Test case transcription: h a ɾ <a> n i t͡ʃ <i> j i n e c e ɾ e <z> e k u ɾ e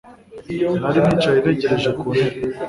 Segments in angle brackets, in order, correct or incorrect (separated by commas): incorrect, incorrect, incorrect